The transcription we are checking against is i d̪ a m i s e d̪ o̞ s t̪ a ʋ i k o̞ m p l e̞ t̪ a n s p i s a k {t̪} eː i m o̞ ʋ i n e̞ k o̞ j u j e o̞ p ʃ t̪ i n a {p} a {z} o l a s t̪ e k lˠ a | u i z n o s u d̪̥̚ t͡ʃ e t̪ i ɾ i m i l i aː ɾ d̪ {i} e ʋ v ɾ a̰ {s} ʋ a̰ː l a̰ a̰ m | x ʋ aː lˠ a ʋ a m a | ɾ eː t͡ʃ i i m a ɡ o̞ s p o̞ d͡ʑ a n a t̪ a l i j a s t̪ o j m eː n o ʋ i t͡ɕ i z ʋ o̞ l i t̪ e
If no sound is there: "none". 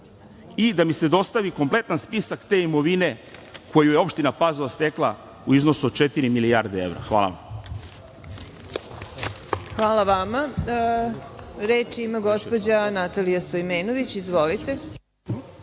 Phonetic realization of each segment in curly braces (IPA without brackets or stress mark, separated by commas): t̪, p, z, e, x